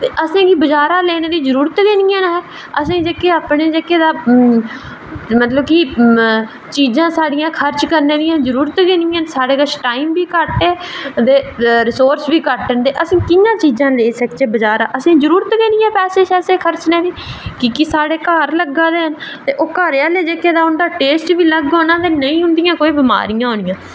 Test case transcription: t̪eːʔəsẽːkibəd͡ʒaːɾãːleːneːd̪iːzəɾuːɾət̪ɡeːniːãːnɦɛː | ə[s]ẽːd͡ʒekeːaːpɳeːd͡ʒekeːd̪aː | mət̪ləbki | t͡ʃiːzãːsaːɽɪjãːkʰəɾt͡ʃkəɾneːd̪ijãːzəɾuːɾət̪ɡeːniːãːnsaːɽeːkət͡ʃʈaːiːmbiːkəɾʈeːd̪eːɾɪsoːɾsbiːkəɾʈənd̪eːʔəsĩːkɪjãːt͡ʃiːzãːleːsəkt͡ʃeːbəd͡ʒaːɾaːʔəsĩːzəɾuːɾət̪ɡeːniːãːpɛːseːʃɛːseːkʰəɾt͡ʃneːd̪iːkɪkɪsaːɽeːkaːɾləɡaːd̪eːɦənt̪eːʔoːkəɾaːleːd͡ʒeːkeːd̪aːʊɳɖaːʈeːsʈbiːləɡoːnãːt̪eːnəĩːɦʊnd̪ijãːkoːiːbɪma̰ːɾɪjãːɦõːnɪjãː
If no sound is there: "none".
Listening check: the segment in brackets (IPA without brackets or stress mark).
s